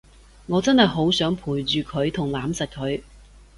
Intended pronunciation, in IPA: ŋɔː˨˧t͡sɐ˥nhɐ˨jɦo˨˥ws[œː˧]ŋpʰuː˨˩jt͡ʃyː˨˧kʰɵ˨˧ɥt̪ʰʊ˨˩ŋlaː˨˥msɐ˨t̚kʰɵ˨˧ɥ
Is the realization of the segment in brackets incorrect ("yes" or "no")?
yes